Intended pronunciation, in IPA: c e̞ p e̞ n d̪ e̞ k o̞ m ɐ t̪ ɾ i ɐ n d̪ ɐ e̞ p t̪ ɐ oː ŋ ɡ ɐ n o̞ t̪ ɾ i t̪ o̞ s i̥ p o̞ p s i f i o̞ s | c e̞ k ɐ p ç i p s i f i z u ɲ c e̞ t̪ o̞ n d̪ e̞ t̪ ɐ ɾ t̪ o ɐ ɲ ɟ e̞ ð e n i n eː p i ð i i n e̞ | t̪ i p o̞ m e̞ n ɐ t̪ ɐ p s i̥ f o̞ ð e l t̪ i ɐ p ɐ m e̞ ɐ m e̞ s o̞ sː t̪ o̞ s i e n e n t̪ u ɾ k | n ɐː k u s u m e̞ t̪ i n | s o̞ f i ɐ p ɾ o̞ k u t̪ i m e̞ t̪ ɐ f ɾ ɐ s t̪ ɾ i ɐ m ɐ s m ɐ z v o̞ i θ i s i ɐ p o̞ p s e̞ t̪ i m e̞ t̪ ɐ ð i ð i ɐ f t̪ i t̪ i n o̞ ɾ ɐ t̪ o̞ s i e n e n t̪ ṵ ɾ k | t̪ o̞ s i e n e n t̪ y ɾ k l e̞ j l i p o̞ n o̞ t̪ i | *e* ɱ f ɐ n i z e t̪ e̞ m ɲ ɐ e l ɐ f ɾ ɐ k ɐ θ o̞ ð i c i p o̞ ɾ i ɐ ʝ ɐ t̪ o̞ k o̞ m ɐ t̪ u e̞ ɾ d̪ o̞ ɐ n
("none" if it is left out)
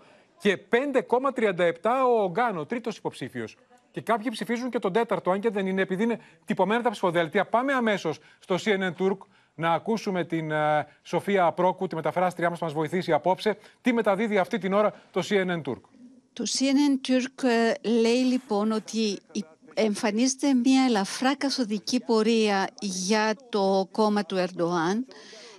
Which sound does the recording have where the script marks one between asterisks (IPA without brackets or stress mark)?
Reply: e